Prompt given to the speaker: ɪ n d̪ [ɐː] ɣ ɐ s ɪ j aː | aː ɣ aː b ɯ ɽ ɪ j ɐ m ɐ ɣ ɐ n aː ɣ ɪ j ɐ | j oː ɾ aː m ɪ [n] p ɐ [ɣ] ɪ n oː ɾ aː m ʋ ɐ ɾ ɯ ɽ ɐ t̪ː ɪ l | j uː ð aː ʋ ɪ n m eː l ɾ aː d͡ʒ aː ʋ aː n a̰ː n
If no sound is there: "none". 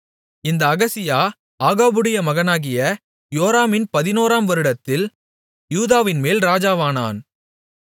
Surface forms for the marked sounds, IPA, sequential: ɐː, n, ð

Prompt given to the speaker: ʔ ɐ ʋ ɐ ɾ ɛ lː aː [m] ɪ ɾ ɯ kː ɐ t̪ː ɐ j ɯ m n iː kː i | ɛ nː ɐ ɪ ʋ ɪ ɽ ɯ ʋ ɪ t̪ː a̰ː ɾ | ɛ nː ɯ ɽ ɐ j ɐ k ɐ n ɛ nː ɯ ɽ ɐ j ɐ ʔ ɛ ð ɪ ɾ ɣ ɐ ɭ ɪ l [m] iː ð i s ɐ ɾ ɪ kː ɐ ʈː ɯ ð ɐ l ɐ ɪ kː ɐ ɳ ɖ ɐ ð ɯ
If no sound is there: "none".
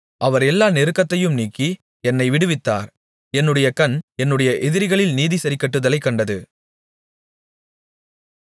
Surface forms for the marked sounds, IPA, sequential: n, n

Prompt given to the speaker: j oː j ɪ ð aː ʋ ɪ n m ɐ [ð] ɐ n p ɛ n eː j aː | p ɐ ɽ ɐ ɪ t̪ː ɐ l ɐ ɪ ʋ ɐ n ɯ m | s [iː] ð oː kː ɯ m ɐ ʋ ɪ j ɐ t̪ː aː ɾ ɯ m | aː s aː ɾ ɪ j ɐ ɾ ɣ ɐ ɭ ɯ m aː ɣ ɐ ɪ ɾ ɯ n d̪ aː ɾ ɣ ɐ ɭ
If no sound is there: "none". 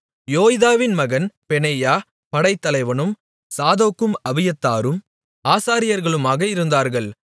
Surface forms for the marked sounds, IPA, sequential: ɣ, aː

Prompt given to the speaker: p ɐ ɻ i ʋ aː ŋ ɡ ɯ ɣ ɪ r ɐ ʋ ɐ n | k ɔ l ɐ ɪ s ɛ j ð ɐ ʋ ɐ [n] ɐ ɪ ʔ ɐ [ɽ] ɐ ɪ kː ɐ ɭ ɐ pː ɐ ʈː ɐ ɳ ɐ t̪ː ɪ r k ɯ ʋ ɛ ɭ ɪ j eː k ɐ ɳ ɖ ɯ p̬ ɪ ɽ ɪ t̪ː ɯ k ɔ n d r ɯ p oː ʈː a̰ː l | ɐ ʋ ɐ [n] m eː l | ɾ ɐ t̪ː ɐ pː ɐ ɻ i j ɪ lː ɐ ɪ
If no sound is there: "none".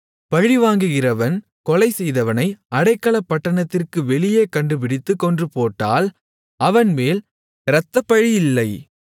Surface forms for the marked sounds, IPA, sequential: n, ɽ, n

